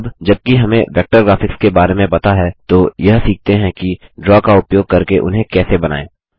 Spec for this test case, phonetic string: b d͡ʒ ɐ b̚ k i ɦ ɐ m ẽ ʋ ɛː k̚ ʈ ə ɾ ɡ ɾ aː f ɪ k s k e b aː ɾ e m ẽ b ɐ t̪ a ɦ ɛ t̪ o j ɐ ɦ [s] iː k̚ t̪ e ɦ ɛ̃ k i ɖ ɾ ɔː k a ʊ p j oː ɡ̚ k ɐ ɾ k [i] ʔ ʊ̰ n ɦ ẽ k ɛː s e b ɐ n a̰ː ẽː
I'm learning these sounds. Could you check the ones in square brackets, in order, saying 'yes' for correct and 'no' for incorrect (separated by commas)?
yes, no